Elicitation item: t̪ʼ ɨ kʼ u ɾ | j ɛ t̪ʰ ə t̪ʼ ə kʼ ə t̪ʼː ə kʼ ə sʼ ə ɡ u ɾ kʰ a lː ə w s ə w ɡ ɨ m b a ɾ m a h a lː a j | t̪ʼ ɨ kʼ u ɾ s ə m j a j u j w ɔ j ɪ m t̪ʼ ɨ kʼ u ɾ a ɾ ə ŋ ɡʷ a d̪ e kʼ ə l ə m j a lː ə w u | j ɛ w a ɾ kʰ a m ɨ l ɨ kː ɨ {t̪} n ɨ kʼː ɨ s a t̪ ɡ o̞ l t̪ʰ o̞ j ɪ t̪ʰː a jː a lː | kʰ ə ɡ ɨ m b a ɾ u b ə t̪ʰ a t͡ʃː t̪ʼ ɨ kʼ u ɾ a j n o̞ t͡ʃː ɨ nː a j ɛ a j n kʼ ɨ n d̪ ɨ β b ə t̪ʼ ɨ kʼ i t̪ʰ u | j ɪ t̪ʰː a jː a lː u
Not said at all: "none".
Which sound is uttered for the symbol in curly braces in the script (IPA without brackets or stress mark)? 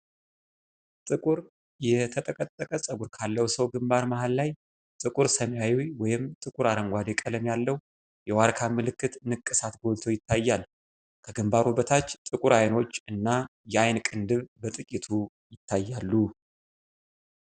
t̪